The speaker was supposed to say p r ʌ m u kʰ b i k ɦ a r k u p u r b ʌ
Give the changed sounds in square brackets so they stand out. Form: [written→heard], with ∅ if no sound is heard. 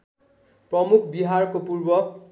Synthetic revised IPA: p r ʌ m u kʰ b i [k→∅] ɦ a r k [u→o] p u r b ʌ